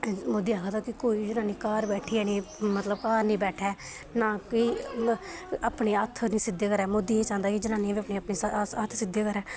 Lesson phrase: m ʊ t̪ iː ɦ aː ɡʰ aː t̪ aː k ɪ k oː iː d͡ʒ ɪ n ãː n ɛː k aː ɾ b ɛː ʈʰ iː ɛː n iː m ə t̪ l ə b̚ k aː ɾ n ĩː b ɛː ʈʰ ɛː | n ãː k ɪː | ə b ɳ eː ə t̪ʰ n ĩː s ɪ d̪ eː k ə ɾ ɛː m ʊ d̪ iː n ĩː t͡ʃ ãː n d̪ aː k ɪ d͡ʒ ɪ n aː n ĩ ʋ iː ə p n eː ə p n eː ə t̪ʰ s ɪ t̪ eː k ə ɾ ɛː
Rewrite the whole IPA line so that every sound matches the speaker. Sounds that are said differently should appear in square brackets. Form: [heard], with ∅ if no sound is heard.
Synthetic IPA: m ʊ [d̪] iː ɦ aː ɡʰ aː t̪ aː k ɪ k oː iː d͡ʒ ɪ n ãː n [iː] k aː ɾ b ɛː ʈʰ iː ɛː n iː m ə t̪ l ə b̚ k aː ɾ n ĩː b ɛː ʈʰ ɛː | n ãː k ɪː | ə [p] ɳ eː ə t̪ʰ n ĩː s ɪ d̪ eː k ə ɾ ɛː m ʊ d̪ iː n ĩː t͡ʃ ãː n d̪ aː k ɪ d͡ʒ ɪ n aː n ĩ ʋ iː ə p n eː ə p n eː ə t̪ʰ s ɪ [d̪] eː k ə ɾ ɛː